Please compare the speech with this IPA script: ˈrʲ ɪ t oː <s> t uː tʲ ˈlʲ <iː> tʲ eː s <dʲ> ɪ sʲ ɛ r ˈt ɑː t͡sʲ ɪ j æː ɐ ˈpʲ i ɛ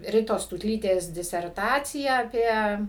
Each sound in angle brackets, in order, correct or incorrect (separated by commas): correct, correct, correct